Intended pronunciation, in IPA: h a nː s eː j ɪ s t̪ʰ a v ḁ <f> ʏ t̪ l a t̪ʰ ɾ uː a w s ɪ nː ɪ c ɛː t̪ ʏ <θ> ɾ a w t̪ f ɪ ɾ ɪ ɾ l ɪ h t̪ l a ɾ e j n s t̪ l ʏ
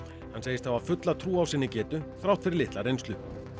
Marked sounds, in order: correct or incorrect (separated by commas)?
correct, correct